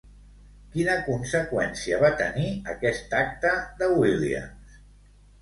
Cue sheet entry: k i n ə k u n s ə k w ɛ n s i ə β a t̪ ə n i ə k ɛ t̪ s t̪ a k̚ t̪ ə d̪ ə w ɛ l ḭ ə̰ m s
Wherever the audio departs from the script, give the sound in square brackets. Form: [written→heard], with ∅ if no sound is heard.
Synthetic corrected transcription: k i n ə k u n s ə k w ɛ n s i ə β a t̪ ə n i ə k ɛ [t̪→∅] s t̪ a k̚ t̪ ə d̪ ə w [ɛ→i] l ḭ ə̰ m s

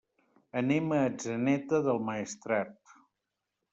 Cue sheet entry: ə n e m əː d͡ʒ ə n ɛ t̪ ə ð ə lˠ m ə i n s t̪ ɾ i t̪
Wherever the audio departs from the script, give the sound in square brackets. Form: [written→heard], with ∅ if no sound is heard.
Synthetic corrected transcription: ə n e m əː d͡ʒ ə n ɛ t̪ ə ð ə lˠ m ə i [n→∅] s t̪ ɾ [i→a] t̪

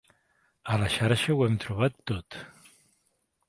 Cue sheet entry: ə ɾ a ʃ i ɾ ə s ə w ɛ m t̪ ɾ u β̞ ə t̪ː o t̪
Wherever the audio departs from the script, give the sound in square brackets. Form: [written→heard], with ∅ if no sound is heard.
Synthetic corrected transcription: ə [ɾ→l] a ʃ [i→a] ɾ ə [s→ʃ] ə w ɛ m t̪ ɾ u β̞ [ə→a] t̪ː o t̪

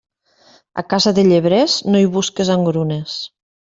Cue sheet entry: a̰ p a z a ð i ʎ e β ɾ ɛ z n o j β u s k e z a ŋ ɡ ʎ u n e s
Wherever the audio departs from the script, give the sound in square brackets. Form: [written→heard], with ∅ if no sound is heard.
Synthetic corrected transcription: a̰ [p→k] a z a ð [i→e] ʎ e β ɾ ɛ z n o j β u s k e z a ŋ ɡ [ʎ→ɾ] u n e s

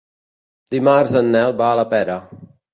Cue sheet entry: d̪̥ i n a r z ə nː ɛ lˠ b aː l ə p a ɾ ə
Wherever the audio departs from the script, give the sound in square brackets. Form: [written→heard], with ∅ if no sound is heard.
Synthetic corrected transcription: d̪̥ i [n→m] a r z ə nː ɛ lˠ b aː l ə p [a→ɛ] ɾ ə

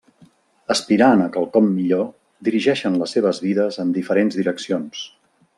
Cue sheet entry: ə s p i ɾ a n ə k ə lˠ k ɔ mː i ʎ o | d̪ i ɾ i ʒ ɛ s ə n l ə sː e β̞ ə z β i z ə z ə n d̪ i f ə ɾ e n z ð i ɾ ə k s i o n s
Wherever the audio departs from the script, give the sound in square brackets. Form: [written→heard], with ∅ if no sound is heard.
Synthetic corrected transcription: ə s p i ɾ a n ə k ə lˠ k ɔ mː i ʎ o | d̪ i ɾ i ʒ ɛ [s→ʃ] ə n l ə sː e β̞ ə z β i [z→ð] ə z ə n d̪ i f ə ɾ e n z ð i ɾ ə k s i o n s

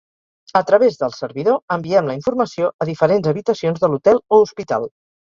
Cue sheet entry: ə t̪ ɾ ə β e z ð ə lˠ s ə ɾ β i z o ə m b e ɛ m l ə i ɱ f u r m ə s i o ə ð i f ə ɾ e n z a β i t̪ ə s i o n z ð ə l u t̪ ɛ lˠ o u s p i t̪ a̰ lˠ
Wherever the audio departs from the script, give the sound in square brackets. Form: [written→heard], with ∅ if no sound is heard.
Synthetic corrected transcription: ə t̪ ɾ ə β e z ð ə lˠ s ə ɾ β i [z→ð] o ə m b [e→i] ɛ m l ə i ɱ f u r m ə s i o ə ð i f ə ɾ e n z [a→ə] β i t̪ ə s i o n z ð ə l u t̪ ɛ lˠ o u s p i t̪ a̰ lˠ

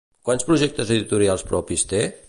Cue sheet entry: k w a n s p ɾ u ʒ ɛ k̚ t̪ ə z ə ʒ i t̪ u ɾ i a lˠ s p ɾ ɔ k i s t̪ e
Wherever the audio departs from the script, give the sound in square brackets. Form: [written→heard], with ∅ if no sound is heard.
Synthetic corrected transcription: k w a n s p ɾ u ʒ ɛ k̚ t̪ ə z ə [ʒ→ð] i t̪ u ɾ i a lˠ s p ɾ ɔ [k→p] i s t̪ e

